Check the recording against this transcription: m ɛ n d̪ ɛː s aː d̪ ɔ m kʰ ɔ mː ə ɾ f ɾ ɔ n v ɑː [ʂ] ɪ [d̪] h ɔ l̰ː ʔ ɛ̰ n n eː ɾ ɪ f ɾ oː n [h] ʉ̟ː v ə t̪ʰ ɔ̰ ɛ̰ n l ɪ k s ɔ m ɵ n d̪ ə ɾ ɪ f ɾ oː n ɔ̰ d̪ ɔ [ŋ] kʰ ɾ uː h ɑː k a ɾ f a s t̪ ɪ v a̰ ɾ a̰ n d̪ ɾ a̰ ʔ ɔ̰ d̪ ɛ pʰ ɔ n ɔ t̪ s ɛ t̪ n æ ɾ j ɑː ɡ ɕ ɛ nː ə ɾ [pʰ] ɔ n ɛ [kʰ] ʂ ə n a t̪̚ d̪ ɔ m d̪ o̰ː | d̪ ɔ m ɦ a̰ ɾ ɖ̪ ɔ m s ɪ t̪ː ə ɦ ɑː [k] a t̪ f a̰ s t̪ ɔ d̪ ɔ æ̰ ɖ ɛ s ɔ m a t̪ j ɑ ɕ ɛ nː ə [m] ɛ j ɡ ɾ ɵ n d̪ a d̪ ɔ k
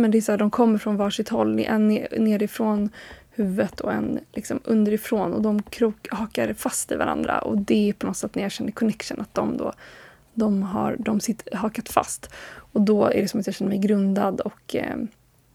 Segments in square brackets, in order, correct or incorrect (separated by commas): correct, incorrect, correct, incorrect, incorrect, incorrect, correct, correct